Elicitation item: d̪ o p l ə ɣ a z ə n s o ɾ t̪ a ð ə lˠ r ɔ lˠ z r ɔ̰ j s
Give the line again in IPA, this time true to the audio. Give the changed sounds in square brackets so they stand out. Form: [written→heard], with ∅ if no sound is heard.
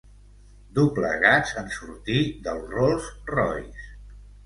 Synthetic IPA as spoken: d̪ [o→u] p l ə ɣ a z ə n s [o→u] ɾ t̪ [a→i] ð ə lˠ r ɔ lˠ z r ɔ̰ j s